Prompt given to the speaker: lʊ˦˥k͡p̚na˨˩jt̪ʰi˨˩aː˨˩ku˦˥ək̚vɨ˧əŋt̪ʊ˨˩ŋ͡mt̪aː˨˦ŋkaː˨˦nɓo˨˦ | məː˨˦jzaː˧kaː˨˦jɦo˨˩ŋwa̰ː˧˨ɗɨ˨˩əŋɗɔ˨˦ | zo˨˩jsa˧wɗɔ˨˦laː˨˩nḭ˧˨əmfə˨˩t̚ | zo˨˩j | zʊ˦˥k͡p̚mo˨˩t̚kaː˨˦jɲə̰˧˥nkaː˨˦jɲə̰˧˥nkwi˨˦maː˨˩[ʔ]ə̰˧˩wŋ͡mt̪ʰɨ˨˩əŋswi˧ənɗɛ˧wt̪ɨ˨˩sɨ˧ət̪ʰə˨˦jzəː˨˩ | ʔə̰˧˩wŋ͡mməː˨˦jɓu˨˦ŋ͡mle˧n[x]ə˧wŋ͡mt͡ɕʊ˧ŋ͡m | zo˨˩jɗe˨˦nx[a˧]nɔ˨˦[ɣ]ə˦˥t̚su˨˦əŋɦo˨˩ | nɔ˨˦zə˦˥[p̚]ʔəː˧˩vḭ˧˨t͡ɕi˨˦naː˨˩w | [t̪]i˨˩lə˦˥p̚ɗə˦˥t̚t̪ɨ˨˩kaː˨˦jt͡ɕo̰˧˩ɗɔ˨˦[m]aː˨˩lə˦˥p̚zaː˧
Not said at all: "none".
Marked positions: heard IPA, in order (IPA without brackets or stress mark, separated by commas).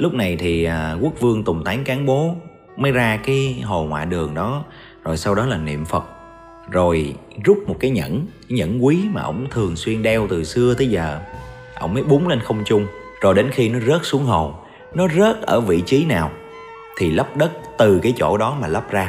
ʔ, x, i˧, z, t̚, t̪ʰ, m